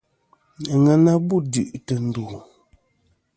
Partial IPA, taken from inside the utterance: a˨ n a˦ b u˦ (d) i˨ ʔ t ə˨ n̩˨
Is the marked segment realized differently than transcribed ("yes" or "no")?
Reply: no